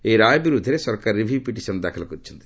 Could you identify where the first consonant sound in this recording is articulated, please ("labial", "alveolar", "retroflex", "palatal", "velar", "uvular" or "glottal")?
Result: alveolar